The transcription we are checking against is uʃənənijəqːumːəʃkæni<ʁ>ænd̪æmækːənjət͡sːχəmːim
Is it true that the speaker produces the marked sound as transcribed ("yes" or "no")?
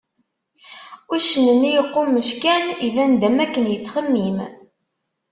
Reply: no